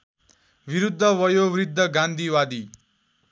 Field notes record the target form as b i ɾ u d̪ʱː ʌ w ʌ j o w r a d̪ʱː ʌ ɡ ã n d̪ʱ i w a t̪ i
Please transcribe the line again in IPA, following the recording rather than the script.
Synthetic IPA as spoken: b i ɾ u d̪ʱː ʌ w ʌ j o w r i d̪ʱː ʌ ɡ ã n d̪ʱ i w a d̪ i